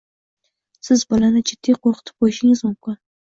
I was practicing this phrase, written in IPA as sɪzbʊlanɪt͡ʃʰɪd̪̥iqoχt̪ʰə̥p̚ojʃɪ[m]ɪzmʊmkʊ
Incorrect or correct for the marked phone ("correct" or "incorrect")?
incorrect